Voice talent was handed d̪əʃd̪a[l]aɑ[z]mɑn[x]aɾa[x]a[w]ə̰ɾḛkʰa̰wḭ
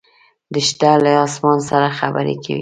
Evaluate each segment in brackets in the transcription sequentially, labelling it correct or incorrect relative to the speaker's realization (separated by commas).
correct, incorrect, incorrect, correct, incorrect